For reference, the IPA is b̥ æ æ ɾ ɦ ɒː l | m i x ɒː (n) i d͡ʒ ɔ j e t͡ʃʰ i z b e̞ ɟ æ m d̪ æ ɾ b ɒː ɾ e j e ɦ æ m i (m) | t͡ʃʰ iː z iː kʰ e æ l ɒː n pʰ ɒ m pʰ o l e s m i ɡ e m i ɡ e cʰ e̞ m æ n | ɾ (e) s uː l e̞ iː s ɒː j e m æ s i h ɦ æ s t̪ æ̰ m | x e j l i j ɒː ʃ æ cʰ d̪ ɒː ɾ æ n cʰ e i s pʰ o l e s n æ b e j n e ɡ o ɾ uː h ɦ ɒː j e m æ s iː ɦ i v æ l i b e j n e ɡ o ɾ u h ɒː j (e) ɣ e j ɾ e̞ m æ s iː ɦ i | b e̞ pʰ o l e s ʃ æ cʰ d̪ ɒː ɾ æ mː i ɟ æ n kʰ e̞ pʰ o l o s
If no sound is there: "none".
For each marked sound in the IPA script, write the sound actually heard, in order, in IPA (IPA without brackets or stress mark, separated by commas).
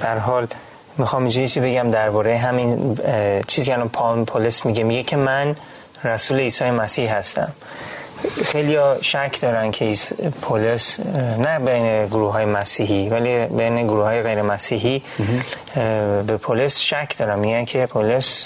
m, n, æ, e